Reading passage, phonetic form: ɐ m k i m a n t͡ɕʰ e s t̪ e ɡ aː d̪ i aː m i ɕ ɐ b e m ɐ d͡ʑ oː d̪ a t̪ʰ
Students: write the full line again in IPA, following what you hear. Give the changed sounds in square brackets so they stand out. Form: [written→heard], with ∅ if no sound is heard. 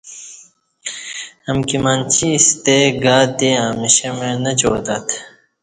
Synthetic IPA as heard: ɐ m k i m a n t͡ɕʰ [e→i] s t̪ e ɡ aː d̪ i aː m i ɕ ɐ [b→m] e [m→n] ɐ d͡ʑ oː d̪ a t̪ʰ